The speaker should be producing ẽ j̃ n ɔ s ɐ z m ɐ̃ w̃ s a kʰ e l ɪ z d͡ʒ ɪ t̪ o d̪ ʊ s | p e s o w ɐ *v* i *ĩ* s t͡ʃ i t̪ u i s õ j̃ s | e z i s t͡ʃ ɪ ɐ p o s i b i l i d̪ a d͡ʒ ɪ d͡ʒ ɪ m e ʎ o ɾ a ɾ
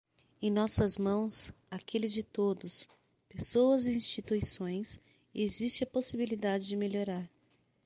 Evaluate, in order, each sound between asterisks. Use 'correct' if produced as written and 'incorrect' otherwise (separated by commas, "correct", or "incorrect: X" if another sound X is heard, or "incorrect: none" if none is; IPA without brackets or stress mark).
incorrect: z, correct